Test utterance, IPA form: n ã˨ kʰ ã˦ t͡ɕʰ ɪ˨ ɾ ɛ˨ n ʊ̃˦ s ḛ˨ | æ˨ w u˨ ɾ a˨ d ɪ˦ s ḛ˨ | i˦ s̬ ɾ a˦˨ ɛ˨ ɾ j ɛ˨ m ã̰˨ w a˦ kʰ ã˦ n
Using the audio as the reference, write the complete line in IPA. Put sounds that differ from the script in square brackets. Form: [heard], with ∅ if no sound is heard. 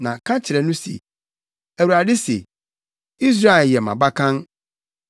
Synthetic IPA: n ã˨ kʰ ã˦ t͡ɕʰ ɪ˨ ɾ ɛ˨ n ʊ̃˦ s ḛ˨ | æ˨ w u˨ ɾ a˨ d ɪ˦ s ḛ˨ | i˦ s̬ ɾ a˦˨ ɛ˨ [l] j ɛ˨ m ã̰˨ [b] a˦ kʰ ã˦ n